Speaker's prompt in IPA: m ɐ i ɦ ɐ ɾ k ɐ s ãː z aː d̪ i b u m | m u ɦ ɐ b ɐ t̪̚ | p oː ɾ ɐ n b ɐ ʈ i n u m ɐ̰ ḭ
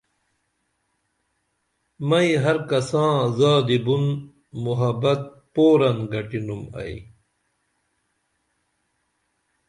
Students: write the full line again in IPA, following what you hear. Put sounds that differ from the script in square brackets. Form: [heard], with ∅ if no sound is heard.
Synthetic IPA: m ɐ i ɦ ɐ ɾ k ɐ s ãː z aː d̪ i b u [n] | m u ɦ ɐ b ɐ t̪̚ | p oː ɾ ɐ n [ɡ] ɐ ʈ i n u m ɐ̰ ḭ

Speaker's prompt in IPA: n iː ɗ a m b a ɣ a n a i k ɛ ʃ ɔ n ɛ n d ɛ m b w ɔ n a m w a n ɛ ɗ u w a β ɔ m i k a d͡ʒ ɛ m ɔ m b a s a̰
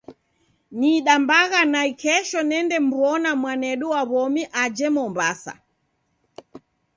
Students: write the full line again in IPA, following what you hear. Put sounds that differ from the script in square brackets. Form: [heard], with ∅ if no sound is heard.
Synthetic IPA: n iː ɗ a m b a ɣ a n a i k ɛ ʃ ɔ n ɛ n d ɛ m b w ɔ n a m w a n ɛ ɗ u w a β ɔ m i [ʔ] a d͡ʒ ɛ m ɔ m b a s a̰

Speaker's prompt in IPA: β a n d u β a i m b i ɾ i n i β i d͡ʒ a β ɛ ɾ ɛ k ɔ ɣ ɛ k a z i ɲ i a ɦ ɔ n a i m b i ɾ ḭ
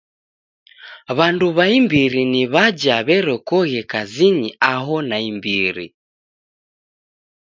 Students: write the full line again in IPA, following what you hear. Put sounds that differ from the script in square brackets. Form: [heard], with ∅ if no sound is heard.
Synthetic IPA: β a n d u β a i m b i ɾ i n i β [a] d͡ʒ a β ɛ ɾ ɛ k ɔ ɣ ɛ k a z i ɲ i a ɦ ɔ n a i m b i ɾ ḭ

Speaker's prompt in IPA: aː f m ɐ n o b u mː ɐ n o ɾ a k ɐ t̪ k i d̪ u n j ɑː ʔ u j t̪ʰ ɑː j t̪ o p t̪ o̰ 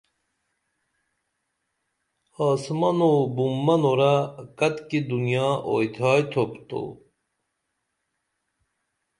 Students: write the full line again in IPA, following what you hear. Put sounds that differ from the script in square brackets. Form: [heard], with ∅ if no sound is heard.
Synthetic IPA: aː [s] m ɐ n o b u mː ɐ n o ɾ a k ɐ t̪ k i d̪ u n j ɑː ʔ [o] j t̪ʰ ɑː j [t̪ʰ] o p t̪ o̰

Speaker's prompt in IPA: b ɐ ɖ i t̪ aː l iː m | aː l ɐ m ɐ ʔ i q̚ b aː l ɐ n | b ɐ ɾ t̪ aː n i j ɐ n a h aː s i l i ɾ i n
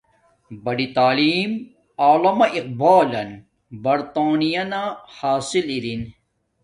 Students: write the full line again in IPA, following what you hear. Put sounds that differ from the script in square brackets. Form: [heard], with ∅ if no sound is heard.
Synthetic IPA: b ɐ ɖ i t̪ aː l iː m | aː l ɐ m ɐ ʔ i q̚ b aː l ɐ n | b ɐ ɾ t̪ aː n i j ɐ n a h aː s i l i ɾ i n

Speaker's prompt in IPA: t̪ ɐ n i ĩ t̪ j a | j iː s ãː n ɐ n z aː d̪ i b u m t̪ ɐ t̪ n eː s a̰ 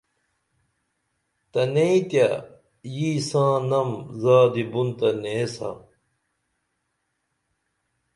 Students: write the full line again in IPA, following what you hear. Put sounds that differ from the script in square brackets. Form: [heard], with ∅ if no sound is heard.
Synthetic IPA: t̪ ɐ n [e] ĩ t̪ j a | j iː s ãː n ɐ [m] z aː d̪ i b u [n] t̪ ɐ [∅] n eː s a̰

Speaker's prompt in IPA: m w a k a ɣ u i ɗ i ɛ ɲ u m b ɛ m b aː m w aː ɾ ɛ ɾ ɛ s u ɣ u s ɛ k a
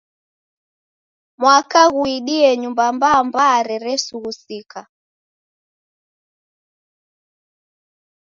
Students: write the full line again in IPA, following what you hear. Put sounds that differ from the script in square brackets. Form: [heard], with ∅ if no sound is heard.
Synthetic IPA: m w a k a ɣ u i ɗ i ɛ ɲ u m b [a] m b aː m [b] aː ɾ ɛ ɾ ɛ s u ɣ u s [i] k a

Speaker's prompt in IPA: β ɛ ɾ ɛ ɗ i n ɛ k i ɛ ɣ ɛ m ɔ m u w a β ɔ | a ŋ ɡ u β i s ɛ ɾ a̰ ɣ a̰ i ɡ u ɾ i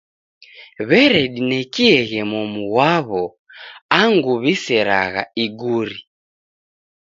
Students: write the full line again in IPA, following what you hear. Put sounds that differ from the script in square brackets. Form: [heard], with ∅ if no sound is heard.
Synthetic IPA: β ɛ ɾ ɛ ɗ i n ɛ k i ɛ ɣ ɛ m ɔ m u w a β ɔ | a ŋ ɡ u β i s ɛ ɾ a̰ ɣ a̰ i ɡ u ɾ i

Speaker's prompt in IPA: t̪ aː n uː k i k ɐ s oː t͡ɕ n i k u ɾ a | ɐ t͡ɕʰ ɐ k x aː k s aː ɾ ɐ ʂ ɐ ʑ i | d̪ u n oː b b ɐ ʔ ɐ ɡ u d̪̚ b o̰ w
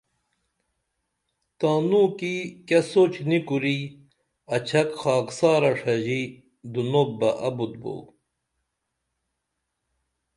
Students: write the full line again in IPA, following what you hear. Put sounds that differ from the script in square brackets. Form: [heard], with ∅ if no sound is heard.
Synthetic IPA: t̪ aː n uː k i k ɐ s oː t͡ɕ n i k u ɾ [i] | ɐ t͡ɕʰ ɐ k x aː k s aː ɾ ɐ ʂ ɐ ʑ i | d̪ u n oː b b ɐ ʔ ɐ [b] u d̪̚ b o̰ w

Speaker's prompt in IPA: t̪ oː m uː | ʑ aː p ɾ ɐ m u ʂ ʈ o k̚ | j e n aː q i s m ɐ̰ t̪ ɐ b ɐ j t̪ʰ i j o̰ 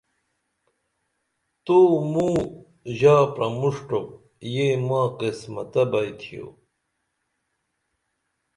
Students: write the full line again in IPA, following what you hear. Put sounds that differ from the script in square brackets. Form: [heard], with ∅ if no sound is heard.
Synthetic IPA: t̪ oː m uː | ʑ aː p ɾ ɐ m u ʂ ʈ o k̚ | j e [m] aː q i s m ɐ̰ t̪ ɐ b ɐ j t̪ʰ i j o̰

